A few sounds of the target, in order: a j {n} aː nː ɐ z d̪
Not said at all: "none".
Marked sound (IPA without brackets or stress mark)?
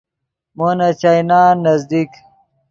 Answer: n